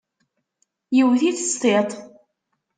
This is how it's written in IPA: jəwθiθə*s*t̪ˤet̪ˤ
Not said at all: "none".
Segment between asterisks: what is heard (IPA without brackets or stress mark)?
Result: s